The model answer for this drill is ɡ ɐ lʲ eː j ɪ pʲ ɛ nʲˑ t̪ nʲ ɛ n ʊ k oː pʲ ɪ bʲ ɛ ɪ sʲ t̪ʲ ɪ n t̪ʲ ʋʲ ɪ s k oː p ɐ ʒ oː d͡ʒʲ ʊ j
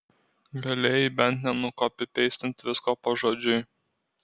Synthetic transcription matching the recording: ɡ ɐ lʲ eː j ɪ bʲ ɛ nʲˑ t̪ nʲ ɛ n ʊ k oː pʲ ɪ pʲ ɛ ɪ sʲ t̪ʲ ɪ n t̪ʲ ʋʲ ɪ s k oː p ɐ ʒ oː d͡ʒʲ ʊ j